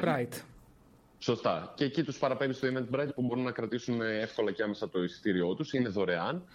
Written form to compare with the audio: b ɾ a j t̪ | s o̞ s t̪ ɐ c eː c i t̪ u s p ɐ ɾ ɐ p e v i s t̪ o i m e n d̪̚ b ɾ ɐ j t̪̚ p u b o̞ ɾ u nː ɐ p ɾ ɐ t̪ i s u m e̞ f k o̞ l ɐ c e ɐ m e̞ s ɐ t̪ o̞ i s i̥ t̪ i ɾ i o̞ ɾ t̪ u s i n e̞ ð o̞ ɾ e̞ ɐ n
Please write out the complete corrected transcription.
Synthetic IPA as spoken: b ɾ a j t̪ | s o̞ s t̪ ɐ c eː c i t̪ u s p ɐ ɾ ɐ p e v i s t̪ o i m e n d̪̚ b ɾ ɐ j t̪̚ p u b o̞ ɾ u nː ɐ k ɾ ɐ t̪ i s u n e̞ f k o̞ l ɐ c e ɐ m e̞ s ɐ t̪ o̞ i s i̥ t̪ i ɾ i o̞ t̪ u s i n e̞ ð o̞ ɾ e̞ ɐ n